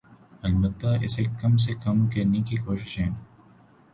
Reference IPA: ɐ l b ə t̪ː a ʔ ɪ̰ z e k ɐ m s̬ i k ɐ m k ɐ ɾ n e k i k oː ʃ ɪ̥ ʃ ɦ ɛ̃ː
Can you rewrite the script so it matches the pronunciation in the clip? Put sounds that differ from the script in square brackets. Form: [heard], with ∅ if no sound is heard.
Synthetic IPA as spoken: ɐ l b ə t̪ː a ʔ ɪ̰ [s] e k ɐ m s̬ [e] k ɐ m k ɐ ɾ n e k i k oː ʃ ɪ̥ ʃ ɦ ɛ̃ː